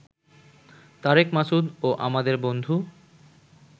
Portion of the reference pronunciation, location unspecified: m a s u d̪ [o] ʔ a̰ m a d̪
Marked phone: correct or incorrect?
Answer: correct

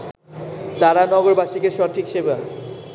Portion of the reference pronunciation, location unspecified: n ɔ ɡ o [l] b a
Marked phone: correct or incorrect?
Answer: incorrect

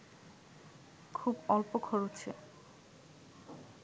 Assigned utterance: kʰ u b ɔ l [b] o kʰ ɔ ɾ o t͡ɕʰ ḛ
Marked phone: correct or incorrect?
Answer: incorrect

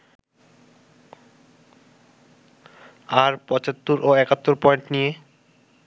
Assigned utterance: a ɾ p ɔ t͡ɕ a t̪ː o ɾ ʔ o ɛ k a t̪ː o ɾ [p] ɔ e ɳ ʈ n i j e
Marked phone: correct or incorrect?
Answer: correct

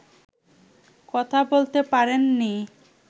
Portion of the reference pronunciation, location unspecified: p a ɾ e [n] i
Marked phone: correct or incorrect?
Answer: incorrect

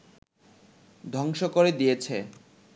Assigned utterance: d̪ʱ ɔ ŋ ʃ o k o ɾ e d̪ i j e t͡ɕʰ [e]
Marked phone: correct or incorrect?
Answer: correct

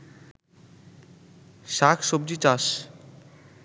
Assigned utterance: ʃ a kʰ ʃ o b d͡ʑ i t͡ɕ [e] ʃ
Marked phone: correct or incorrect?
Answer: incorrect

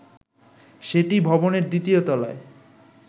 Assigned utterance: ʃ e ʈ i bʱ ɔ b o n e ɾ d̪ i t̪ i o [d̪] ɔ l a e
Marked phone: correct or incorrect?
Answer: incorrect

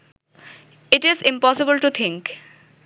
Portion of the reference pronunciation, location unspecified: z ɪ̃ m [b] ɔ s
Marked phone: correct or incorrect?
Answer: incorrect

